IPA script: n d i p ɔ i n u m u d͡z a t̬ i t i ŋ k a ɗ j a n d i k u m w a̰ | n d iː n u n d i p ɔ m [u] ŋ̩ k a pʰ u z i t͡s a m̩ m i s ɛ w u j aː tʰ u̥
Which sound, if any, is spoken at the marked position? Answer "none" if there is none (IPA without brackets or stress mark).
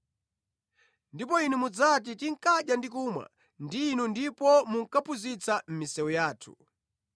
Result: u